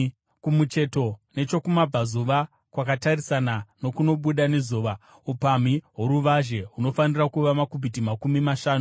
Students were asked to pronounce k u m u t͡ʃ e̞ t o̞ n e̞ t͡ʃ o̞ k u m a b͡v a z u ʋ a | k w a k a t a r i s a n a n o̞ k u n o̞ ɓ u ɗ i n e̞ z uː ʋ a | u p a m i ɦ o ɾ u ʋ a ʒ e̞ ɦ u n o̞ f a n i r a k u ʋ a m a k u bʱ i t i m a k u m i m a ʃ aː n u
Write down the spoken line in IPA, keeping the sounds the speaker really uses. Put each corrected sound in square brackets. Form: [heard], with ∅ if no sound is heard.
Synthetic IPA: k u m u t͡ʃ e̞ t o̞ n e̞ t͡ʃ o̞ k u m a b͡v a z u ʋ a | k w a k a t a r i s a n a n o̞ k u n o̞ ɓ u ɗ [a] n e̞ z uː ʋ a | u p a m i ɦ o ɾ u ʋ a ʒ e̞ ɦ u n o̞ f a n i r a k u ʋ a m a k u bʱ i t i m a k u m i m a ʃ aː n u